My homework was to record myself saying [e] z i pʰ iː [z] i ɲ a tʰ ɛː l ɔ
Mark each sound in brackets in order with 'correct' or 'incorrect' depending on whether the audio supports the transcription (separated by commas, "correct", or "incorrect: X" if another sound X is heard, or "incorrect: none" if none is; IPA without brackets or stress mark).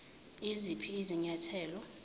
incorrect: i, correct